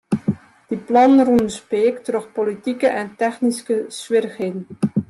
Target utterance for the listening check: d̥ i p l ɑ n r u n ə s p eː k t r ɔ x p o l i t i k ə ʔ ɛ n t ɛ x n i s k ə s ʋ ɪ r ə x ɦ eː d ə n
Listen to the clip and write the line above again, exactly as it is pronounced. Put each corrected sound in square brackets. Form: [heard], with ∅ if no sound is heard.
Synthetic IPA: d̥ i p l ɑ n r u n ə s p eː k t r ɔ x p o l i t i k ə ʔ ɛ n t ɛ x n i s k ə s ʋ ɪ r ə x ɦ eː d ə n